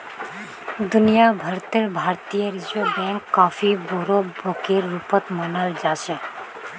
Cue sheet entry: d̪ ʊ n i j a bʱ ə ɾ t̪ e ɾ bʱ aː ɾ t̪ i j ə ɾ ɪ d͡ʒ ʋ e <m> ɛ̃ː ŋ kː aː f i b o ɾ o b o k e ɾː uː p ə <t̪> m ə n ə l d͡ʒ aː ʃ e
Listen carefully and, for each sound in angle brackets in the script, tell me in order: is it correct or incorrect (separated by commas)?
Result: incorrect, correct